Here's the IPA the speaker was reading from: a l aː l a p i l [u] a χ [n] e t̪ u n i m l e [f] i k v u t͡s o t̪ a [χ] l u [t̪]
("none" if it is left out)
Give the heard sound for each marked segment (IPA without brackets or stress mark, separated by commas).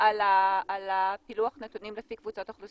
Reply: u, n, f, χ, none